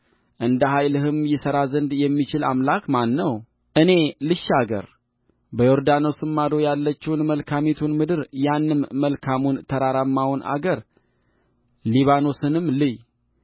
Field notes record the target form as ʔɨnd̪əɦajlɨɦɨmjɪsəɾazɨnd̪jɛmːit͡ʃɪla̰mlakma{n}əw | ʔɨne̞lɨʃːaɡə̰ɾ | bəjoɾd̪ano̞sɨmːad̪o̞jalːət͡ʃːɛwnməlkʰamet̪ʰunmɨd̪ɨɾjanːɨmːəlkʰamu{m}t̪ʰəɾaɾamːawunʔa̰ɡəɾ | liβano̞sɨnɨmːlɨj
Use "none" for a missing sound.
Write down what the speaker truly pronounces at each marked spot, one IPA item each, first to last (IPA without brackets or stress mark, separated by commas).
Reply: nː, n